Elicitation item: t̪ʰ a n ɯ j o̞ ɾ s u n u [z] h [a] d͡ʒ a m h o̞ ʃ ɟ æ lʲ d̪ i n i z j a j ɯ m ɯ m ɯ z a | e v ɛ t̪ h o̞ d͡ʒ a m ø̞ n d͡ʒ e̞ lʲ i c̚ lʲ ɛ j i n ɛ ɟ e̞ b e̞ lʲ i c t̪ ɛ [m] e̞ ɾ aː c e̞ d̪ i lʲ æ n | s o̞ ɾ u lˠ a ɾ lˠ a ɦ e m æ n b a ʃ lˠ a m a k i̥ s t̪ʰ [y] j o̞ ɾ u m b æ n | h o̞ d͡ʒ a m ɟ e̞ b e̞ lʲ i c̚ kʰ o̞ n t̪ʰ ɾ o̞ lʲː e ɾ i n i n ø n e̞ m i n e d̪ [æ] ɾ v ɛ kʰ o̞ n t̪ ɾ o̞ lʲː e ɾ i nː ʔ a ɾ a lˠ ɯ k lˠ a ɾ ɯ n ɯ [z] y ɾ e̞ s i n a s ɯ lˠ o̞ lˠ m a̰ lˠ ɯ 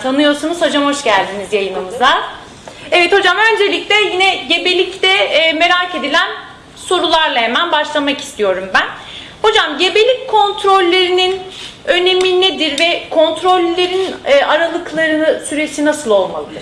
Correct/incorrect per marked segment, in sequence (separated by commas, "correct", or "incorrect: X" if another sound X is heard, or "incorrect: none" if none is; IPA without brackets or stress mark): correct, correct, correct, incorrect: i, incorrect: i, incorrect: s